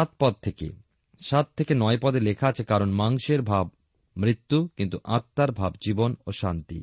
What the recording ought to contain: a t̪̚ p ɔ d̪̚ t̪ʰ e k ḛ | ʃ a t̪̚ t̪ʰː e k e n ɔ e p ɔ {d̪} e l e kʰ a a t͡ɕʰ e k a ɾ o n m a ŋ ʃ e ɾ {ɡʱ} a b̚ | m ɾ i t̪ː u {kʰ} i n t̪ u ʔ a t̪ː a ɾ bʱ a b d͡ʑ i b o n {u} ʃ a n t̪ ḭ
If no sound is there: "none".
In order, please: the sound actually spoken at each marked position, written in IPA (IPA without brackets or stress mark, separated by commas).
d̪, bʱ, k, o